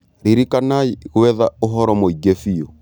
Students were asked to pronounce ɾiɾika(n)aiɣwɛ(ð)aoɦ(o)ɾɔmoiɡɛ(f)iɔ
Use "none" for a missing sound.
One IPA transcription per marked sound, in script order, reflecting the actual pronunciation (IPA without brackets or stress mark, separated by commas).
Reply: n, ð, ɔ, f